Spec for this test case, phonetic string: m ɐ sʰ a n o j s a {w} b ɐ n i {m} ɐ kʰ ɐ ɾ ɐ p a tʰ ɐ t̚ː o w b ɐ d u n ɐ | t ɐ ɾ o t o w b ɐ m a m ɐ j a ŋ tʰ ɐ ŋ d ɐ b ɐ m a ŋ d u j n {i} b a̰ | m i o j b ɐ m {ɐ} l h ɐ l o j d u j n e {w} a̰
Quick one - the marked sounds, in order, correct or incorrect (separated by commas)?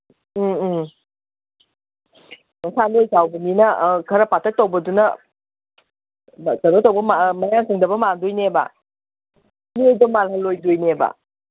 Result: correct, incorrect, incorrect, incorrect, incorrect